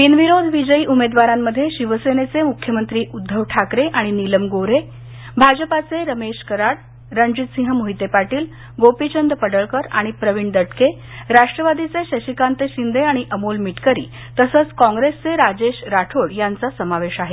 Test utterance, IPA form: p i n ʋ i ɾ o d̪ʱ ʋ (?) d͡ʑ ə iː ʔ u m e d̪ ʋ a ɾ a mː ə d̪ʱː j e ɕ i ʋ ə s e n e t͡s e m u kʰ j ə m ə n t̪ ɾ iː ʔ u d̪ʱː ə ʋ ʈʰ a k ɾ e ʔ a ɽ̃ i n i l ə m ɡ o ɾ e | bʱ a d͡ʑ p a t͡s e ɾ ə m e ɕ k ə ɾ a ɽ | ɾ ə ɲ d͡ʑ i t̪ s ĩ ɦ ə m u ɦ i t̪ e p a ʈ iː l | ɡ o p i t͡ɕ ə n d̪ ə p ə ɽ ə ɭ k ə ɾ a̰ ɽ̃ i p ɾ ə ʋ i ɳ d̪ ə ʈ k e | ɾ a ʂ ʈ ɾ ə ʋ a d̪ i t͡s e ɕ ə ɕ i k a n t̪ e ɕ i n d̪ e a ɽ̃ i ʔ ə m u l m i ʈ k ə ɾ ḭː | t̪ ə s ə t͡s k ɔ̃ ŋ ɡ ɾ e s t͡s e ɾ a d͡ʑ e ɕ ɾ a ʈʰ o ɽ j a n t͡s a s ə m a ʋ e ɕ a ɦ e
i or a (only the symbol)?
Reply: i